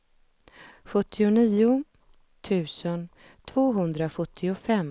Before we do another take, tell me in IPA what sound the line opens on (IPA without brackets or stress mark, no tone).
ɧ